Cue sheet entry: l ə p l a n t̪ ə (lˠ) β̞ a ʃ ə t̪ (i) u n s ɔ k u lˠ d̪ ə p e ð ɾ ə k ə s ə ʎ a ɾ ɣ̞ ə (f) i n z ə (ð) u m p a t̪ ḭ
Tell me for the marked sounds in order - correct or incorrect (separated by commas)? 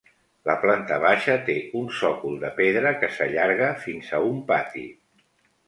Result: incorrect, incorrect, correct, incorrect